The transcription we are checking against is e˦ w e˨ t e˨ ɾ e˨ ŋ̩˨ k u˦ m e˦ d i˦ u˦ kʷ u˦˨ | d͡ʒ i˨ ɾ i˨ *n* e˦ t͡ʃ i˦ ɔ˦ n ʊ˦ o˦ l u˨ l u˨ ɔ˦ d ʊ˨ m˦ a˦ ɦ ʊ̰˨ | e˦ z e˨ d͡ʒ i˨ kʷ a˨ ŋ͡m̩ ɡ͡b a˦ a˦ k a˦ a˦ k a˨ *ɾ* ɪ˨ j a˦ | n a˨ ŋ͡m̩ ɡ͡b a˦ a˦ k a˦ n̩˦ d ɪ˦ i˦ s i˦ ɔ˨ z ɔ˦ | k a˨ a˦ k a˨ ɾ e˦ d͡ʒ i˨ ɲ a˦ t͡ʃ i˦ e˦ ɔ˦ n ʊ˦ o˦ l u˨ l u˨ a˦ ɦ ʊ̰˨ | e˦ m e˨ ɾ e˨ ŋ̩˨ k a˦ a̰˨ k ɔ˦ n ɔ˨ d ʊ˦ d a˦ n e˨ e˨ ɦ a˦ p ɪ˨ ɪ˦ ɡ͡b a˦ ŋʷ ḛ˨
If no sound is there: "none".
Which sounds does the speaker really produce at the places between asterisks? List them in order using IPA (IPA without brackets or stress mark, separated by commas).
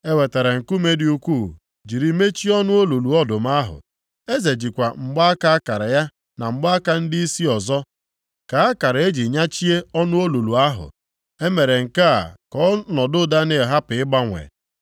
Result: m, ɾ